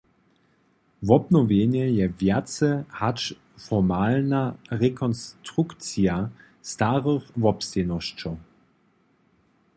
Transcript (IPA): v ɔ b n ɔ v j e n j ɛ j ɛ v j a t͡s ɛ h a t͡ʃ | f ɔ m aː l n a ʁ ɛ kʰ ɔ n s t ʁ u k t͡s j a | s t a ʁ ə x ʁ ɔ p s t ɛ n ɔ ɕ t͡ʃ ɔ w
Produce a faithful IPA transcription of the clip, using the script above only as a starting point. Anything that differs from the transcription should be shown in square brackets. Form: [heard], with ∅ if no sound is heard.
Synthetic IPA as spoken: v ɔ b n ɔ v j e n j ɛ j ɛ v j a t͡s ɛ h a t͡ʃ | f ɔ m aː l n a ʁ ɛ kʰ ɔ n s t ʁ u k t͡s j a | s t a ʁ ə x [v] ɔ p s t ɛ n ɔ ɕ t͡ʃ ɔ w